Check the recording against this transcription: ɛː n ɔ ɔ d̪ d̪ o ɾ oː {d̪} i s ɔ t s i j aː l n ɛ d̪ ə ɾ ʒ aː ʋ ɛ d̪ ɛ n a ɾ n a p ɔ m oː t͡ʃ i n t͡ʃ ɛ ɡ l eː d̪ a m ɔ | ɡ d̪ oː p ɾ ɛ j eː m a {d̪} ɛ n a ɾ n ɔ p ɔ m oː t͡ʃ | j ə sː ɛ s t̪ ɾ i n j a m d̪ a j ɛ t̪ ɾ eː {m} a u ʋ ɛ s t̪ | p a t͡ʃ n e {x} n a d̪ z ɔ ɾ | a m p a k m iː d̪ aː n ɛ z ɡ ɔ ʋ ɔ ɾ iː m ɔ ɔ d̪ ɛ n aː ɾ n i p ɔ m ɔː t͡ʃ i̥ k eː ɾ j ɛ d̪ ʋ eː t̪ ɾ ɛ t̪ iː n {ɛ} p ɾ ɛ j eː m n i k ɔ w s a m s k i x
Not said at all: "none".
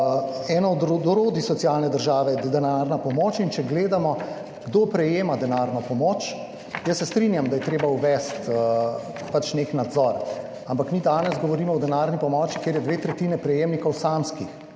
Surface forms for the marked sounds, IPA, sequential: d̪, d̪, b, k, ɛ

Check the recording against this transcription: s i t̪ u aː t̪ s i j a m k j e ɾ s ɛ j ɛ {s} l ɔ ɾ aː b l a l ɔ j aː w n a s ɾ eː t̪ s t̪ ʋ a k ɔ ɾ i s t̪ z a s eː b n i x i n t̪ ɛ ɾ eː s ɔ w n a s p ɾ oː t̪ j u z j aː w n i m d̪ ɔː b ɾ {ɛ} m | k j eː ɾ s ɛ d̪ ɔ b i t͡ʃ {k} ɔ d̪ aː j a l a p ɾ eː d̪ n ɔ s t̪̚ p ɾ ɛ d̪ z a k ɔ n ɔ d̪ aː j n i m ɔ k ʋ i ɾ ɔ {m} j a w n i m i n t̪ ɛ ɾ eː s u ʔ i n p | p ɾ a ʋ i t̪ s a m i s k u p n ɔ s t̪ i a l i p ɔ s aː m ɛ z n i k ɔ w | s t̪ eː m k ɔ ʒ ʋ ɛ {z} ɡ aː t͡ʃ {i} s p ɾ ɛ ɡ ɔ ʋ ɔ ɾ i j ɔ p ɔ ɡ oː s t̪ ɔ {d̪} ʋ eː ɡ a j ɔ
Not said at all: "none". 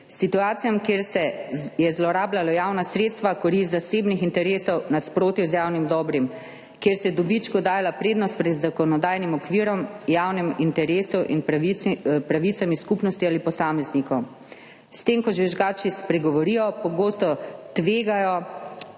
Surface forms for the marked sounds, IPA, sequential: z, i, k, m, ʒ, i, t̪

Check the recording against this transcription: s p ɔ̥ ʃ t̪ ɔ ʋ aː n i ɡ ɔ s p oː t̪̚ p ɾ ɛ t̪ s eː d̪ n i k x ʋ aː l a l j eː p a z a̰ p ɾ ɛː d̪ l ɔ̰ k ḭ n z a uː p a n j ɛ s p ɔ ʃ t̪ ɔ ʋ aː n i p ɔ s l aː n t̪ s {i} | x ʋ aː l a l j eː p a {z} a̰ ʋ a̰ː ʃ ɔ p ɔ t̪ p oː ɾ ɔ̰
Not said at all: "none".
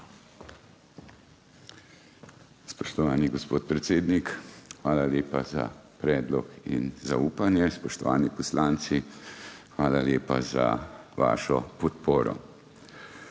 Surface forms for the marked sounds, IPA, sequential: i, z

